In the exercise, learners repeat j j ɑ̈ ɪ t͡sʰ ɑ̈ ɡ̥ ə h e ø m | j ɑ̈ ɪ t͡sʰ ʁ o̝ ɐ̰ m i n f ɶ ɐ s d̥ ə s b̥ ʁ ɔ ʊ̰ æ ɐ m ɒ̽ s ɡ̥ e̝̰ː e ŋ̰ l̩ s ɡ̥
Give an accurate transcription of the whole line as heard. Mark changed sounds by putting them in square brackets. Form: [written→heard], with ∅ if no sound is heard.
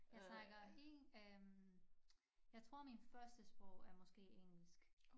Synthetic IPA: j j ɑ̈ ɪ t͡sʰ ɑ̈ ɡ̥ [ə→ɐ] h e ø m | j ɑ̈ ɪ t͡sʰ ʁ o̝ ɐ̰ m i n f ɶ ɐ s d̥ ə s b̥ ʁ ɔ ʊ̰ æ ɐ m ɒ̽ s ɡ̥ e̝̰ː e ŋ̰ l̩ s ɡ̥